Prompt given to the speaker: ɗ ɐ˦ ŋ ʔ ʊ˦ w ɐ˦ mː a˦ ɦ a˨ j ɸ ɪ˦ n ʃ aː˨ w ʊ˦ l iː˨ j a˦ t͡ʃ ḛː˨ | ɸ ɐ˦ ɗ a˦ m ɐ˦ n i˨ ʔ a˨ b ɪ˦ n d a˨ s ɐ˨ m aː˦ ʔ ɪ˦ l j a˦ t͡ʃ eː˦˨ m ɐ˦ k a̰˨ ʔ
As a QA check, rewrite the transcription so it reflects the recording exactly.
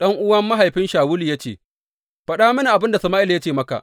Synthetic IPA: ɗ ɐ˦ ŋ ʔ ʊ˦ w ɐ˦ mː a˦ ɦ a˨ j ɸ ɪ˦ n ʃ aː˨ w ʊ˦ l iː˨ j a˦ t͡ʃ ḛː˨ | ɸ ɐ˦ ɗ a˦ m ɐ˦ n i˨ ʔ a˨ b ɪ˦ n d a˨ s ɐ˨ m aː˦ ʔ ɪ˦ l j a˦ t͡ʃ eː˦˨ m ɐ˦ k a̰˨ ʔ